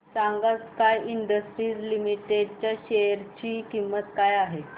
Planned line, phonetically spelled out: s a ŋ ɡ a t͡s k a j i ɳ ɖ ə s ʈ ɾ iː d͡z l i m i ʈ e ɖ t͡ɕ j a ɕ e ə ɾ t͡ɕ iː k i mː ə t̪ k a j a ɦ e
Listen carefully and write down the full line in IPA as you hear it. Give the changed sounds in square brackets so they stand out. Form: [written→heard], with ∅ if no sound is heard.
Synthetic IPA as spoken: s a ŋ ɡ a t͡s k a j i ɳ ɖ ə s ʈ ɾ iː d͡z l i m i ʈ e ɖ t͡ɕ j a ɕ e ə ɾ t͡ɕ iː k i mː ə t̪ k a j a ɦ e